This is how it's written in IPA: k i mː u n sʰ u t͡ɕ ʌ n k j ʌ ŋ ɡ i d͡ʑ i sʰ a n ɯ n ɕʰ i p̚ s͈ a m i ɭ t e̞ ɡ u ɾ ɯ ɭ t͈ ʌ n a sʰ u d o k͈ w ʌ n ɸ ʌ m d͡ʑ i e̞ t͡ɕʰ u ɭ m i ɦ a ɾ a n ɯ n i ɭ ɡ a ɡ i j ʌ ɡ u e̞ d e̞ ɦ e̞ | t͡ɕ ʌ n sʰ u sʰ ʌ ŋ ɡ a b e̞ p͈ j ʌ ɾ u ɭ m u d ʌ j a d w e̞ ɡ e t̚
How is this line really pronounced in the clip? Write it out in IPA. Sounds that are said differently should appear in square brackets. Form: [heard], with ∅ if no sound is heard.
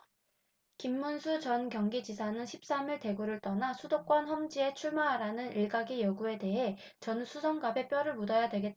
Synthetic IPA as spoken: k i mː u n sʰ u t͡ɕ ʌ n k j ʌ ŋ ɡ i d͡ʑ i sʰ a n ɯ n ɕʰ i p̚ s͈ a m i ɭ t e̞ ɡ u ɾ ɯ ɭ t͈ ʌ n a sʰ u d o k͈ w ʌ n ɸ ʌ m d͡ʑ i e̞ t͡ɕʰ u ɭ m [a] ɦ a ɾ a n ɯ n i ɭ ɡ a ɡ i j ʌ ɡ u e̞ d e̞ ɦ e̞ | t͡ɕ ʌ n sʰ u sʰ ʌ ŋ ɡ a b e̞ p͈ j ʌ ɾ [ɯ] ɭ m u d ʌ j a d w e̞ ɡ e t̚